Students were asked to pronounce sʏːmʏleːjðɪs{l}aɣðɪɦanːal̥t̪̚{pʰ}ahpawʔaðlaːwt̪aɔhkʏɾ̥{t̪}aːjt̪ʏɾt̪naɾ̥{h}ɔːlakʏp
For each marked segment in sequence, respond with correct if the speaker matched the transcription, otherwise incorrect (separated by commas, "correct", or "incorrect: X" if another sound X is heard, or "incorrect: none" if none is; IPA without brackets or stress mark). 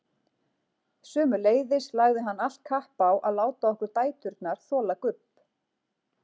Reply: correct, incorrect: kʰ, correct, incorrect: θ